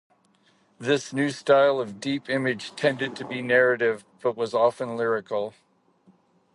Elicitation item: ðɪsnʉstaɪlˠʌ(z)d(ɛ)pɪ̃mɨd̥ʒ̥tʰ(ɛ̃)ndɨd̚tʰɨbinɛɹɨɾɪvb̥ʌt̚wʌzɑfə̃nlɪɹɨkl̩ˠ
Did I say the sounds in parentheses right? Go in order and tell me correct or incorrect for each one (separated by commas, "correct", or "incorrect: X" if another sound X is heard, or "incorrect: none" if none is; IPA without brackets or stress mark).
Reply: incorrect: v, incorrect: i, correct